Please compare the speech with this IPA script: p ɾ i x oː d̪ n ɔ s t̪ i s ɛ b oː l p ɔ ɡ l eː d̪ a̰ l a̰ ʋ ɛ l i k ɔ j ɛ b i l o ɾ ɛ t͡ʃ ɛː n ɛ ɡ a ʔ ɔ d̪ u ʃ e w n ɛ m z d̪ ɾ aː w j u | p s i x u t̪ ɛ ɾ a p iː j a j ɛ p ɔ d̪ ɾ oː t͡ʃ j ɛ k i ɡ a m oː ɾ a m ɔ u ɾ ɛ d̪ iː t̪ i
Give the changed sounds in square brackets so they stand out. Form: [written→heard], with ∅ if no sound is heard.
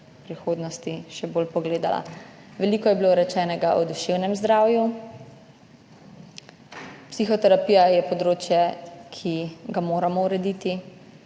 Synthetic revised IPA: p ɾ i x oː d̪ n ɔ s t̪ i [s→ʃ] ɛ b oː l p ɔ ɡ l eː d̪ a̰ l a̰ ʋ ɛ l i k ɔ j ɛ b i l o ɾ ɛ t͡ʃ ɛː n ɛ ɡ a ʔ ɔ d̪ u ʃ e w n ɛ m z d̪ ɾ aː w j u | p s i x [u→ɔ] t̪ ɛ ɾ a p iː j a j ɛ p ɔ d̪ ɾ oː t͡ʃ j ɛ [k→kʰ] i ɡ a m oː ɾ a m ɔ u ɾ ɛ d̪ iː t̪ i